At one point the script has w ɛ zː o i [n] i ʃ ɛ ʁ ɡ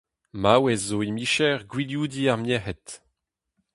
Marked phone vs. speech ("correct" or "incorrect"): incorrect